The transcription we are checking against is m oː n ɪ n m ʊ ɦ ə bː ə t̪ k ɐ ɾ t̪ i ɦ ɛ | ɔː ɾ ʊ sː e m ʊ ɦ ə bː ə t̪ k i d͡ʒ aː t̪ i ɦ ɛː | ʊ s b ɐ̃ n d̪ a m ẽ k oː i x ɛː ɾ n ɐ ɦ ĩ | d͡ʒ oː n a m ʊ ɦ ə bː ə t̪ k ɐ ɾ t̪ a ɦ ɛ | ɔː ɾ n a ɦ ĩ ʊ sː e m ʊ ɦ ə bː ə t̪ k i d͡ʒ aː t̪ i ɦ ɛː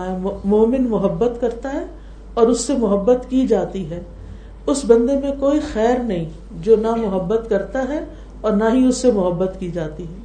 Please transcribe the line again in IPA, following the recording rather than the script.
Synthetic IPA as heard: m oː m ɪ n m ʊ ɦ ə bː ə t̪ k ɐ ɾ t̪ a ɦ ɛ | ɔː ɾ ʊ sː e m ʊ ɦ ə bː ə t̪ k i d͡ʒ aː t̪ i ɦ ɛː | ʊ s b ɐ̃ n d̪ e m ẽ k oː i x ɛː ɾ n ɐ ɦ ĩ | d͡ʒ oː n a m ʊ ɦ ə bː ə t̪ k ɐ ɾ t̪ a ɦ ɛ | ɔː ɾ n a ɦ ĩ ʊ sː e m ʊ ɦ ə bː ə t̪ k i d͡ʒ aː t̪ i ɦ ɛː